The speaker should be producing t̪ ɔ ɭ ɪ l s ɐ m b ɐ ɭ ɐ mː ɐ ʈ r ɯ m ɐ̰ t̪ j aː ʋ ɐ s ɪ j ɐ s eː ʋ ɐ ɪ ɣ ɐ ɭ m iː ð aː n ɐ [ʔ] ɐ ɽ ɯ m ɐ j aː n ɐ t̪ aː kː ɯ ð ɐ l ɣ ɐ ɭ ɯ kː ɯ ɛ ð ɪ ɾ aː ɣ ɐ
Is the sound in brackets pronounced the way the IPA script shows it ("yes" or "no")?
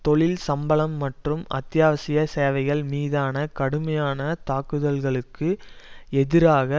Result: no